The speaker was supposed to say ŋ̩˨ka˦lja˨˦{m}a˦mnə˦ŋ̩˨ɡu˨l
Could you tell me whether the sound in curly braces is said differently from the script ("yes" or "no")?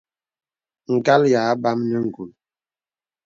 yes